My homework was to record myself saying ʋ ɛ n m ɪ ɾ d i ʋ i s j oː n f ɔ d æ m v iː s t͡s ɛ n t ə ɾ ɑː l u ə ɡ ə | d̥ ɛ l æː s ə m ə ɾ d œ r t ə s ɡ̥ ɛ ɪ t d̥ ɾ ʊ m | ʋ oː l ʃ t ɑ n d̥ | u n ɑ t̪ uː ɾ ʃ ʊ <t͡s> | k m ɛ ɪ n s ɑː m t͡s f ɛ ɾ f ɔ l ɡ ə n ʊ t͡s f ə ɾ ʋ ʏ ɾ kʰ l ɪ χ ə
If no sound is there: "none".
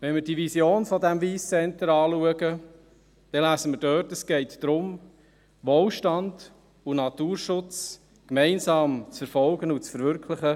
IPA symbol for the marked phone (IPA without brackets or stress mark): t͡s